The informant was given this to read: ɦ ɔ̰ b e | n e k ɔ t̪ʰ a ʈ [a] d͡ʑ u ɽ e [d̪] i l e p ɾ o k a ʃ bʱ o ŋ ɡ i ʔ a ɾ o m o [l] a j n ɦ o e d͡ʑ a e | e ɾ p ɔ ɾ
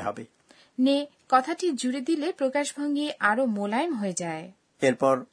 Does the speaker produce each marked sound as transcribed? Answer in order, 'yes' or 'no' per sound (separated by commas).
no, yes, yes